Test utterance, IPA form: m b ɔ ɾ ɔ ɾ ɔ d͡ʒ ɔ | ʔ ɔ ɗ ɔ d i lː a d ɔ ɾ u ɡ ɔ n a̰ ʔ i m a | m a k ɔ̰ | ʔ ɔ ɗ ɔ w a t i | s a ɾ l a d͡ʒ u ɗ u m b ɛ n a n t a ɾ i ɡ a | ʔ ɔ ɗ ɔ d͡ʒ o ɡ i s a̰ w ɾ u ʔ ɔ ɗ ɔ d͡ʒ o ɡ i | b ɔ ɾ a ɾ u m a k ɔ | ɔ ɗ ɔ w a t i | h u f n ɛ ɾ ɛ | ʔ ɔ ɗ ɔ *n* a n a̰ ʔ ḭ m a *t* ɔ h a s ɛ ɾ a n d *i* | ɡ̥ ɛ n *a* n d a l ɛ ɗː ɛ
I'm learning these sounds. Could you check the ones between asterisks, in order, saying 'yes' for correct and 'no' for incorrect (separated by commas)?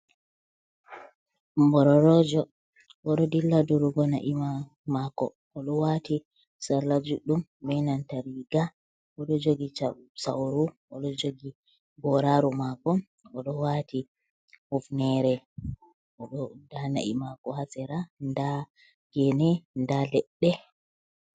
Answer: no, no, no, no